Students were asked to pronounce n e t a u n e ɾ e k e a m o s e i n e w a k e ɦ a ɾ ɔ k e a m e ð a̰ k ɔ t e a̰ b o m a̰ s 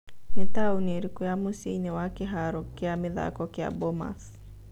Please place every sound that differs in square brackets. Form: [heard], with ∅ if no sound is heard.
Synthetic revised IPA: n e t a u n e ɾ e k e a m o s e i n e w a k e ɦ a ɾ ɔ k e a m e ð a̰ k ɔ [k] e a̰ b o m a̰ s